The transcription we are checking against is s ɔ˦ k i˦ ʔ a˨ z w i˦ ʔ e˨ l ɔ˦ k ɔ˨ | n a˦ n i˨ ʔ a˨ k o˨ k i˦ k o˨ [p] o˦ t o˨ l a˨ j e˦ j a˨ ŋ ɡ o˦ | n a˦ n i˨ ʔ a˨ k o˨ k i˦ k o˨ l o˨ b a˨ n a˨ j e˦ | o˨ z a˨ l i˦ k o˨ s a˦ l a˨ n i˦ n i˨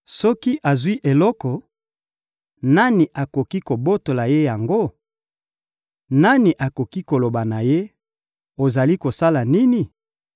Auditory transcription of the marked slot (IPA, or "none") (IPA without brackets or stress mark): b